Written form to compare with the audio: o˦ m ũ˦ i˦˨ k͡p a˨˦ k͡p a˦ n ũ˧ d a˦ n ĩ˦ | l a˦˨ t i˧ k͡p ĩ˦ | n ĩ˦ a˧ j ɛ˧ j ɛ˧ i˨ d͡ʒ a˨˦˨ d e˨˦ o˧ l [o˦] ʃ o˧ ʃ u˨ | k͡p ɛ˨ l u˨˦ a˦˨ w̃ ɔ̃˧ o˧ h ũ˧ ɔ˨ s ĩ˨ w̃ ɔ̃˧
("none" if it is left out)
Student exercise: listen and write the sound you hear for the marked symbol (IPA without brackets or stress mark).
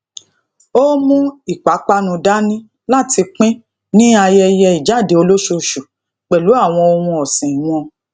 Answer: o˦